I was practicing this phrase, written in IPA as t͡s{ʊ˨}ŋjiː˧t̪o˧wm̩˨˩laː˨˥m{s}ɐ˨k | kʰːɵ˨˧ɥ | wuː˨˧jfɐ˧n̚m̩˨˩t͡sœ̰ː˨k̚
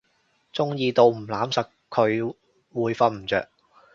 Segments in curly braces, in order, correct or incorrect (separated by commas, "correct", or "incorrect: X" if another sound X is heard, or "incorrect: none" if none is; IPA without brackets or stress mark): incorrect: ʊ˥, correct